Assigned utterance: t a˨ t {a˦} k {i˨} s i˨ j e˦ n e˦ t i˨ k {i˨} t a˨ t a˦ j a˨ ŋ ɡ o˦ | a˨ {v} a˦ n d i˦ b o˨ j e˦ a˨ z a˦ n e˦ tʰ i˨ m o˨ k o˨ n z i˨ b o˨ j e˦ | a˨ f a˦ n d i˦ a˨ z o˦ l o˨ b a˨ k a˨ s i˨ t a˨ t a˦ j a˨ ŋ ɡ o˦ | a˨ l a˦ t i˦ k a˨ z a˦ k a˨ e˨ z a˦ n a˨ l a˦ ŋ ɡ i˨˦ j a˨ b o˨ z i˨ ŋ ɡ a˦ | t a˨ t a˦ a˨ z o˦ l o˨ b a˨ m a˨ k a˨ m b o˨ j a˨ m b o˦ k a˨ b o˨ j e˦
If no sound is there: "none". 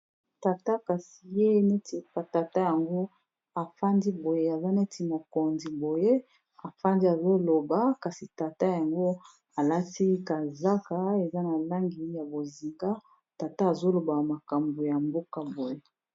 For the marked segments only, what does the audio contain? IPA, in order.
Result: a˦, a˨, a˨, f

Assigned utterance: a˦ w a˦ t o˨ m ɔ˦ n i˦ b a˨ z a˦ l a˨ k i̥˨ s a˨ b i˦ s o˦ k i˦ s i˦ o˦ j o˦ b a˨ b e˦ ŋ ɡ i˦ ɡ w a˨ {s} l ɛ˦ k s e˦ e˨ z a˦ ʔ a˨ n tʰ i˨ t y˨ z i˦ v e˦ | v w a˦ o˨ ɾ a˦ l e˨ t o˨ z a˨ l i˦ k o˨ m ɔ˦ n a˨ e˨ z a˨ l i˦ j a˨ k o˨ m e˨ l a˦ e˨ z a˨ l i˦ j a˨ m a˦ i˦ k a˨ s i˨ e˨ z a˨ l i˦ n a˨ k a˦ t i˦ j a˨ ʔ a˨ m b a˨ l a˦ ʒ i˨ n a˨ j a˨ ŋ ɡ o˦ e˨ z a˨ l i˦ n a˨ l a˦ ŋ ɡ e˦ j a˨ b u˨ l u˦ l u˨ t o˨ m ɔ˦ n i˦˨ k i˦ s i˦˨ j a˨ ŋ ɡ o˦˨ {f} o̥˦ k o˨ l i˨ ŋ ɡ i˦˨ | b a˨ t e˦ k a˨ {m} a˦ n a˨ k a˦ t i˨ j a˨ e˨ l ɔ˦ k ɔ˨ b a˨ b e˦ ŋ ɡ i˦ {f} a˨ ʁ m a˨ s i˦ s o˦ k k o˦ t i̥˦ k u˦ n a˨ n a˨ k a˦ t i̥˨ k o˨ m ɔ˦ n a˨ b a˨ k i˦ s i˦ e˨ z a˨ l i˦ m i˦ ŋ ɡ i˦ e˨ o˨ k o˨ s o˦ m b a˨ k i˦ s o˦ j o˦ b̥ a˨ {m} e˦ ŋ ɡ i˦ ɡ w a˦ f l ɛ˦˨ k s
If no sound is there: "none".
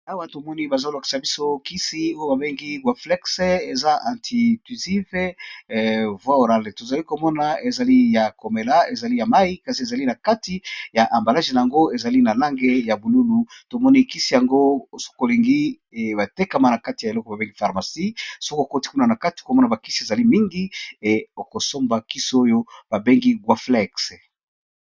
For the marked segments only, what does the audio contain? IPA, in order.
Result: f, s, m, f, b

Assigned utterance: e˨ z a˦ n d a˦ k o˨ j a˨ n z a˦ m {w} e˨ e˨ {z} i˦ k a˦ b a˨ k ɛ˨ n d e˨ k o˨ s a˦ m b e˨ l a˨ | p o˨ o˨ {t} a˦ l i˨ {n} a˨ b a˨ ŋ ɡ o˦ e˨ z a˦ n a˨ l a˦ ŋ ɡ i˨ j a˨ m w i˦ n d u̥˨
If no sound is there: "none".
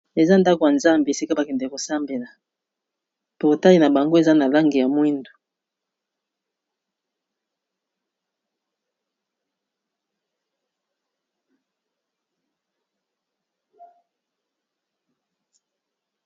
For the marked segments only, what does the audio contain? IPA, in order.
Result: b, s, t, n

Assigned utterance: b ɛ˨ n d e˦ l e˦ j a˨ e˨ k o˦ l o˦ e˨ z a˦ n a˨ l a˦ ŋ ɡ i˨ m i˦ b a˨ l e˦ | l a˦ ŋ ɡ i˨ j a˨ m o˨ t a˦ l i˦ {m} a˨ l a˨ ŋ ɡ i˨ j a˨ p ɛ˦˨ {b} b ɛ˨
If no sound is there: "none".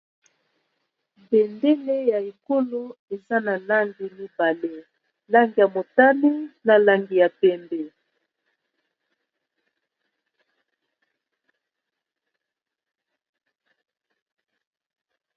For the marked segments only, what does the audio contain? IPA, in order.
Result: n, m

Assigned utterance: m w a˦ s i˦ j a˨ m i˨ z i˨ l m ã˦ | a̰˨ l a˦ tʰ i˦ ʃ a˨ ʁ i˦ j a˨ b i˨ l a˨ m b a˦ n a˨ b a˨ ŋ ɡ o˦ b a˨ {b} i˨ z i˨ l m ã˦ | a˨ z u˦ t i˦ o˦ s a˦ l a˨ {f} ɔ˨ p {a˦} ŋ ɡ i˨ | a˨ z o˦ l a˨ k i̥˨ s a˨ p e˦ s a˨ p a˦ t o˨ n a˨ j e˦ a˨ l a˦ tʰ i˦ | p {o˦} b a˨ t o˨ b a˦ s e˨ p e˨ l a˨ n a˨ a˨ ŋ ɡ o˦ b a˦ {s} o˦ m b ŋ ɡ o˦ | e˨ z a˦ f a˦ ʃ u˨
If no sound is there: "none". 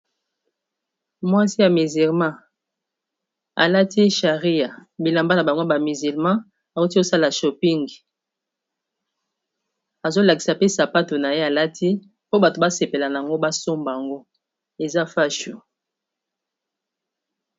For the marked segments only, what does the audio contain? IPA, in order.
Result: m, ʃ, i˦, o˦, s

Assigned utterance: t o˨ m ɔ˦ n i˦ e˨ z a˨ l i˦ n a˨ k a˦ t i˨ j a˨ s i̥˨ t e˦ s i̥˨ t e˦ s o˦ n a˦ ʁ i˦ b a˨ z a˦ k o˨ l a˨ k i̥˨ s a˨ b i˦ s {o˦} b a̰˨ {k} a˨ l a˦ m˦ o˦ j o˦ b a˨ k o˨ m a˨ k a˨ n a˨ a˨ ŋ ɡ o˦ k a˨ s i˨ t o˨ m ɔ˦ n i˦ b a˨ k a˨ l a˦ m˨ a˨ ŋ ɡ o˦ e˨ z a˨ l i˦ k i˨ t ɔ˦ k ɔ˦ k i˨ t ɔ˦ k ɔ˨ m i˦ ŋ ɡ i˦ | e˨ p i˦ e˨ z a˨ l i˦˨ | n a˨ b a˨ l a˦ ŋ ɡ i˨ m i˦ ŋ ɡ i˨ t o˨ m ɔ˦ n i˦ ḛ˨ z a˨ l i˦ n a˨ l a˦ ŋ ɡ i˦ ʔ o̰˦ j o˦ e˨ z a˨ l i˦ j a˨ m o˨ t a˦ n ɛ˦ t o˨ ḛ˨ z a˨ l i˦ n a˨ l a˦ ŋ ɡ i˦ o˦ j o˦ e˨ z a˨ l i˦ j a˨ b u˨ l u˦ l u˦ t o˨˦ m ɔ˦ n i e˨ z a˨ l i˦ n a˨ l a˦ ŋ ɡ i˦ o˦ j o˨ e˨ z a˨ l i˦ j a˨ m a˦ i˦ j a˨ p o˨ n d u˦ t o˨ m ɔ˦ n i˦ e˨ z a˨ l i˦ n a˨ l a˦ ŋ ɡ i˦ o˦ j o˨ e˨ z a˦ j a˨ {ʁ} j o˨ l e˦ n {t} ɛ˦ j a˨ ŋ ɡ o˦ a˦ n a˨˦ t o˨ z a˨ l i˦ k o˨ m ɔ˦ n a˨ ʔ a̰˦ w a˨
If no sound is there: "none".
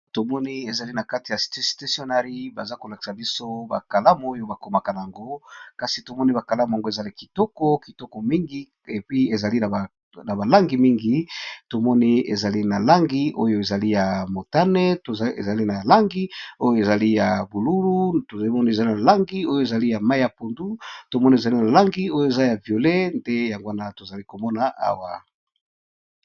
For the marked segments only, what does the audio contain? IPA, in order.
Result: o˦, k, v, d

